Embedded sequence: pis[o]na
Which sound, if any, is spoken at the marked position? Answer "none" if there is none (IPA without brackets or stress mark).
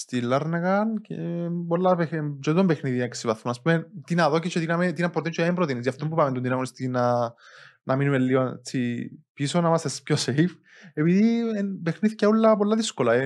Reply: o